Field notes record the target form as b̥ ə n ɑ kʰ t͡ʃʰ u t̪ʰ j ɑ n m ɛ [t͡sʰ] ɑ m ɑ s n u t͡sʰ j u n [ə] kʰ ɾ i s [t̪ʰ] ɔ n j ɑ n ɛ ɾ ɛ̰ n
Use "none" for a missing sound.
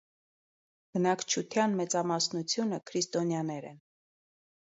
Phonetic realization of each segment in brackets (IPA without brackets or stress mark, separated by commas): t͡s, ə, t̪